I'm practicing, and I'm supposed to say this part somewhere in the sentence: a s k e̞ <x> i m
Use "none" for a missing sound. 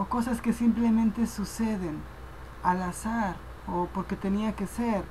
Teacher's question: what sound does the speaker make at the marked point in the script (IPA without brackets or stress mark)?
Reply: s